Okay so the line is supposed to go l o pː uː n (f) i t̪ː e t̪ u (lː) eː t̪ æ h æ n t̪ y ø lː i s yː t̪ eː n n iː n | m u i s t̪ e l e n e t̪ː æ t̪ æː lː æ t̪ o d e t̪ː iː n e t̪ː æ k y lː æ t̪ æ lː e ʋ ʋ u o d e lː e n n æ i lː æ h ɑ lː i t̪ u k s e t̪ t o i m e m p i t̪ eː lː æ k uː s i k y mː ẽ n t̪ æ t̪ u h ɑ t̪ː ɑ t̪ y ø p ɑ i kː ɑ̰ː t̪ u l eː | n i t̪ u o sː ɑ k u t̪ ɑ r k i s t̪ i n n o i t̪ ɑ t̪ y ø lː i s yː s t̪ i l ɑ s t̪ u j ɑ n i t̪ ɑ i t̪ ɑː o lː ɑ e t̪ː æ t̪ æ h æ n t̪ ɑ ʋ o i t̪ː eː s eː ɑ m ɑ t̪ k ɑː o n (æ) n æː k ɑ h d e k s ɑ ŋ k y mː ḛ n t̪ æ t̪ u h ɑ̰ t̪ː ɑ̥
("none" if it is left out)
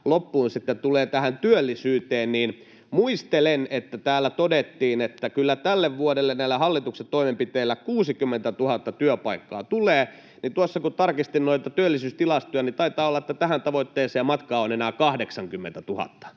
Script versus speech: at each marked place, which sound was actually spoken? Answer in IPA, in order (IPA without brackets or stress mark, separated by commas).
s, l, e